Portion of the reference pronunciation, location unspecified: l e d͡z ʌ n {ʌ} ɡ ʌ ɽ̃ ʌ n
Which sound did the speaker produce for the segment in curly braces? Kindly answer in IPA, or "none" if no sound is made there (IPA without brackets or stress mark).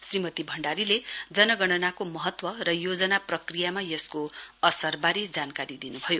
ʌ